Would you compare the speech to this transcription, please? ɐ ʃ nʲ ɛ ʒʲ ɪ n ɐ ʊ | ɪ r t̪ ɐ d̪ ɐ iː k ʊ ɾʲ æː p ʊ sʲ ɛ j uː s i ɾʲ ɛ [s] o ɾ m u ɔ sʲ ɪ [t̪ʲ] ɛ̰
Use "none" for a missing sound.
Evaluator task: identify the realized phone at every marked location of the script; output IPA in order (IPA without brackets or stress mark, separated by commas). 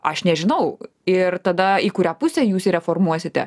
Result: f, t̪ʲ